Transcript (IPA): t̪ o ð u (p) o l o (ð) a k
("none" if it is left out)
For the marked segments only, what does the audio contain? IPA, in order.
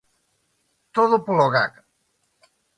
p, ɣ

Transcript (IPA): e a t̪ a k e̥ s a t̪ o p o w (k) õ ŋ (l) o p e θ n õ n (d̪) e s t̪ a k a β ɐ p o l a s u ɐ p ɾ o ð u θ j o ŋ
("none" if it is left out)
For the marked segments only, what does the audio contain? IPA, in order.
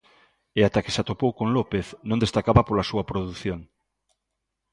k, l, d̪

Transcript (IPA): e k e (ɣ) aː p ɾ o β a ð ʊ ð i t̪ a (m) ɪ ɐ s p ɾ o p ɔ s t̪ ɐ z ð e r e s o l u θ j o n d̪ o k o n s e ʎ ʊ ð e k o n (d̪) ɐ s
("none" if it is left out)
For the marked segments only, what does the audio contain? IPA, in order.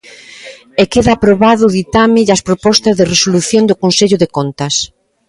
ð, m, t̪

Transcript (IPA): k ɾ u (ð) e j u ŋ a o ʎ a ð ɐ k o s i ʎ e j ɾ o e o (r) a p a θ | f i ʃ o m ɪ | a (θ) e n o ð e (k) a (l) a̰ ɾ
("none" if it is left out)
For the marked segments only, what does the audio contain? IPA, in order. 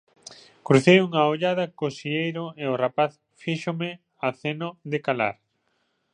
θ, r, θ, k, l

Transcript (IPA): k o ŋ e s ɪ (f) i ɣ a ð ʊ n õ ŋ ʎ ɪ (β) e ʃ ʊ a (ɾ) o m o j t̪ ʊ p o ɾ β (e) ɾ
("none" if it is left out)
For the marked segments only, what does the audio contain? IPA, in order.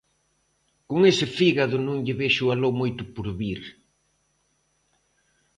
f, β, l, i

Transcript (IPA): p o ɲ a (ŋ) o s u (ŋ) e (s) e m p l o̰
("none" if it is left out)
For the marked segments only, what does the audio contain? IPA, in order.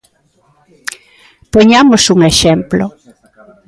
m, ŋ, ʃ

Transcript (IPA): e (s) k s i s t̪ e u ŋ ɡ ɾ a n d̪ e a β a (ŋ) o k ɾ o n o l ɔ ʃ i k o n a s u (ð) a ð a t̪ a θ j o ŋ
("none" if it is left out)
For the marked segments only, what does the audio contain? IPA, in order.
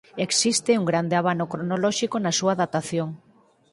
none, n, none

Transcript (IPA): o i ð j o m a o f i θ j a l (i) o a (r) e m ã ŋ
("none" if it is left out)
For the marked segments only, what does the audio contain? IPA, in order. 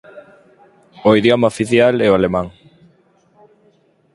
ɛ, l

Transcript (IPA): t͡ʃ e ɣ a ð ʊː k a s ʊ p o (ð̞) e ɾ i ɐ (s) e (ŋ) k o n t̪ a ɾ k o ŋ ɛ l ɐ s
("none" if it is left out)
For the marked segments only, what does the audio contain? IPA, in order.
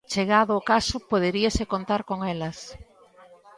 ð̞, s, none

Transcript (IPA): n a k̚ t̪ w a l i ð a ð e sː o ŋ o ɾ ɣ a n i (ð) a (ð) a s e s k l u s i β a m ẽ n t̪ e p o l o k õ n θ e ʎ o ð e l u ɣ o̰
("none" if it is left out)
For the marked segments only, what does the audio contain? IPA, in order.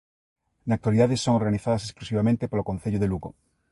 θ, ð

